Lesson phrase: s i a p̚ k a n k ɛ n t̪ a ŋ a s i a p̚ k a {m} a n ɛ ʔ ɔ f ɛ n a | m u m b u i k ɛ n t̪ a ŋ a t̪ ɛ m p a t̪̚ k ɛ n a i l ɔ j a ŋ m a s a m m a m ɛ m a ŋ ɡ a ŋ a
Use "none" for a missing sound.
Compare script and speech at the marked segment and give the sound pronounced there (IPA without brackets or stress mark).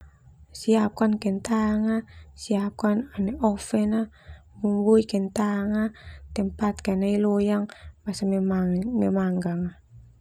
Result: n